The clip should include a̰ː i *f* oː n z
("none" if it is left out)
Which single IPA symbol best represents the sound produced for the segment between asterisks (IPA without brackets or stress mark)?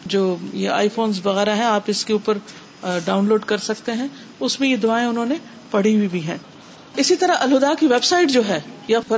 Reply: f